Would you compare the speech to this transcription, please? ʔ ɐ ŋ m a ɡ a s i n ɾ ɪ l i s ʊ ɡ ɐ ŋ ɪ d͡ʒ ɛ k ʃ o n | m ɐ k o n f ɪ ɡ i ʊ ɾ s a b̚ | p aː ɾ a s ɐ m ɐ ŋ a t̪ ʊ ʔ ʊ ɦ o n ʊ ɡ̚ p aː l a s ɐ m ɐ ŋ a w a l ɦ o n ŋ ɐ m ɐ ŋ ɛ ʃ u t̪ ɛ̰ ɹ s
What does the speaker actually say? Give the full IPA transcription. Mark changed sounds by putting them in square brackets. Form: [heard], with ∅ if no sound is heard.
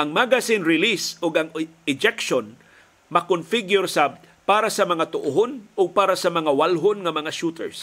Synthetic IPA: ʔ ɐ ŋ m a ɡ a s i n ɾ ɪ l i s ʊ ɡ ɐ ŋ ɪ d͡ʒ ɛ k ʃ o n | m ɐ k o n f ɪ ɡ [j] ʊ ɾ s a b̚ | p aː ɾ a s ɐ m ɐ ŋ a t̪ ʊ ʔ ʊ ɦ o n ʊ ɡ̚ p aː [ɾ] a s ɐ m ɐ ŋ a w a l ɦ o n ŋ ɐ m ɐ ŋ [a] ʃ u t̪ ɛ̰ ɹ s